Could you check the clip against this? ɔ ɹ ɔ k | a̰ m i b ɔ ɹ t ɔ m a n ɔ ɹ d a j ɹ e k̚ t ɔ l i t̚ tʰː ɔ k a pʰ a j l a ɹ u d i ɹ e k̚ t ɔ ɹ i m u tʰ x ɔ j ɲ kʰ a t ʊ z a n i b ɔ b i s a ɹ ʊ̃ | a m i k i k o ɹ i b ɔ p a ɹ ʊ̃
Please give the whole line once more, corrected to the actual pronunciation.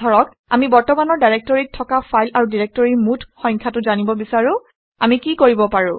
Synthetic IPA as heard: ɔ ɹ ɔ k | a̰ m i b ɔ ɹ t ɔ m a n ɔ ɹ d a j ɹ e k̚ t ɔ ɹ i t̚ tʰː ɔ k a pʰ a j l a ɹ u d i ɹ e k̚ t ɔ ɹ i m u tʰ x ɔ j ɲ kʰ a t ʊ z a n i b ɔ b i s a ɹ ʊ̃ | a m i k i k o ɹ i b ɔ p a ɹ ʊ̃